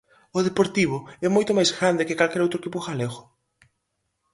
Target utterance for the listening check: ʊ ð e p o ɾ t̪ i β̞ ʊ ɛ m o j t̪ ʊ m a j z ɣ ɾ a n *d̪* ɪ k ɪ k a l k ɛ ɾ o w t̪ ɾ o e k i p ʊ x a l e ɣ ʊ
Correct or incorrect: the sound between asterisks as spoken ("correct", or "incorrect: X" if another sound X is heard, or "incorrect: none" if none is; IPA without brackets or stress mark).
correct